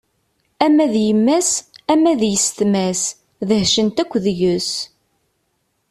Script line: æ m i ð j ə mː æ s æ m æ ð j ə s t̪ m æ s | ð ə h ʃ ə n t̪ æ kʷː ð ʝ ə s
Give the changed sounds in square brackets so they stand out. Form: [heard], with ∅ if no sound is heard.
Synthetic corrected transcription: æ m [æ] ð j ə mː æ s æ m æ ð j ə s t̪ m æ s | ð ə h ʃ ə n t̪ æ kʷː ð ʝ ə s